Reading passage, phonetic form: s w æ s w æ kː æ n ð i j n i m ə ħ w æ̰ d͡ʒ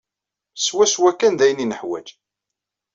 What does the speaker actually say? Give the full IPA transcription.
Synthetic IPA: s w æ s w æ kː æ n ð æ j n i n ə ħ w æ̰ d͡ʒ